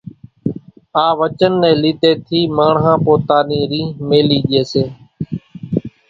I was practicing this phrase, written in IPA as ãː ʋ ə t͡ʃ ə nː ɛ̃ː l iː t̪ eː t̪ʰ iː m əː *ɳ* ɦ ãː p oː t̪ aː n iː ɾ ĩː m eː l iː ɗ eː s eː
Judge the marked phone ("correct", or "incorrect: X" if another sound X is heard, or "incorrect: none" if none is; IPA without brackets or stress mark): correct